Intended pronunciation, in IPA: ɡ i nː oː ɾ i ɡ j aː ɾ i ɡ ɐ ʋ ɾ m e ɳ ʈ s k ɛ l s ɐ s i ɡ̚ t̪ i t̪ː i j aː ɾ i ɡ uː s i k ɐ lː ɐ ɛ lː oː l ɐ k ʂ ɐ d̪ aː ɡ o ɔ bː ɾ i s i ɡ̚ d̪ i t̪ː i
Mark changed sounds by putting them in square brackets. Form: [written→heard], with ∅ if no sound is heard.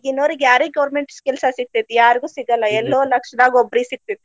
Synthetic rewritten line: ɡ i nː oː ɾ i ɡ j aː ɾ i ɡ ɐ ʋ ɾ m e ɳ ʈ s k ɛ l s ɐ s i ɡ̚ t̪ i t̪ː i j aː ɾ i ɡ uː s i [k→ɡ] ɐ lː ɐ ɛ lː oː l ɐ k ʂ ɐ d̪ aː ɡ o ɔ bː ɾ i s i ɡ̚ [d̪→t̪] i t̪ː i